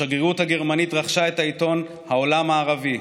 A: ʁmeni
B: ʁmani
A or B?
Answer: B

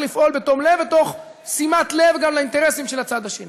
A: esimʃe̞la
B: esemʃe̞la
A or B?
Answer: A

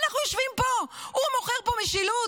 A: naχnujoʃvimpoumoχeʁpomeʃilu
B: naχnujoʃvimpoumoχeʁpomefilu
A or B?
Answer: A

